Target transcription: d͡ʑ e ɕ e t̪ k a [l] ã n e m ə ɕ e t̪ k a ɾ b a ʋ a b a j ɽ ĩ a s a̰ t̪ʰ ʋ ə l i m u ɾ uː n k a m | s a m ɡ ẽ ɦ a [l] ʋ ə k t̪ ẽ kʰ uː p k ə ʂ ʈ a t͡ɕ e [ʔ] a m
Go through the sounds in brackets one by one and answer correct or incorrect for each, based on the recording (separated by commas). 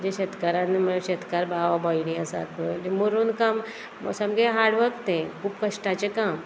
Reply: incorrect, incorrect, incorrect